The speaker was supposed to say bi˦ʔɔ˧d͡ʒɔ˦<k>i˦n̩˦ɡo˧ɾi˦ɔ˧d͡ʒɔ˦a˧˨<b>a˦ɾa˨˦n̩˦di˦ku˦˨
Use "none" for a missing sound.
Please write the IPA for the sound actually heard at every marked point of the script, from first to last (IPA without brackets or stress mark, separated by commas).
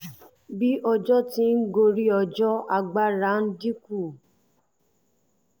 t, ɡ͡b